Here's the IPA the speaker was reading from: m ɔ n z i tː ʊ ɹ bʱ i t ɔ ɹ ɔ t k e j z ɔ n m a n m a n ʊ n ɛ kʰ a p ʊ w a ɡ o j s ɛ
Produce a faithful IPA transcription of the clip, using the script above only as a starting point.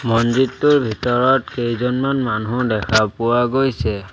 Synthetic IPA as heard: m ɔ n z i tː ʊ ɹ bʱ i t ɔ ɹ ɔ t k e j z ɔ n m a n m a n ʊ d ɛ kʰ a p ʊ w a ɡ o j s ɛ